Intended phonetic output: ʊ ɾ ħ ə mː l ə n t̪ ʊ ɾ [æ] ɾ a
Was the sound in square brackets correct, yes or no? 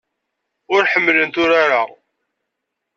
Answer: no